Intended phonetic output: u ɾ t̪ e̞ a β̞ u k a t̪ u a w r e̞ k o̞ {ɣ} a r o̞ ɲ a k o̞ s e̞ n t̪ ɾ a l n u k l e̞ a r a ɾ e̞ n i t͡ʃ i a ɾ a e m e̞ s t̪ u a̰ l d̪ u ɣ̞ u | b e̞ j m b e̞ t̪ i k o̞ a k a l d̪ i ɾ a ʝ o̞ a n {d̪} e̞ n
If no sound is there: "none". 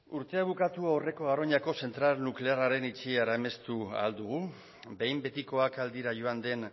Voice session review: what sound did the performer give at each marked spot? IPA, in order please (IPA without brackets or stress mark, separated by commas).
ɣ, d̪